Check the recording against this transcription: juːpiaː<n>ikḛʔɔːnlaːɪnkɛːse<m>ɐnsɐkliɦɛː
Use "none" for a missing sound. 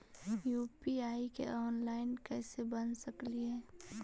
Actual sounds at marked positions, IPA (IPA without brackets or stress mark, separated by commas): none, b